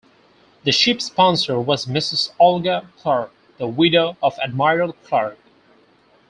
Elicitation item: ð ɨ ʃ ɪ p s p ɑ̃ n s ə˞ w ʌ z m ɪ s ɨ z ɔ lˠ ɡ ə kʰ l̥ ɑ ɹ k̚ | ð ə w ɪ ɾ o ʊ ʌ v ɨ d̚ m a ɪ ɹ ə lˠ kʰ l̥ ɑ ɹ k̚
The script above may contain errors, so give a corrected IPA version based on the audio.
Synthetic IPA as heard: ð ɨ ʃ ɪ p s p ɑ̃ n s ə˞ w ʌ z m ɪ s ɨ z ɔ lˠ ɡ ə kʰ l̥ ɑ ɹ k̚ | ð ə w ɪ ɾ o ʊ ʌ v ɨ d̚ m a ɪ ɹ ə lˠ kʰ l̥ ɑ ɹ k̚